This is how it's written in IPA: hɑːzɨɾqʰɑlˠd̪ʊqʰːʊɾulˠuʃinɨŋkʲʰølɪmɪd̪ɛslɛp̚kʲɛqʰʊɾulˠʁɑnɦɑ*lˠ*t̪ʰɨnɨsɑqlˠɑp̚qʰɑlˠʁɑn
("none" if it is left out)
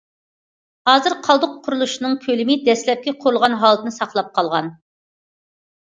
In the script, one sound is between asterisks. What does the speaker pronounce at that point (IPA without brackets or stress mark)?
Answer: lˠ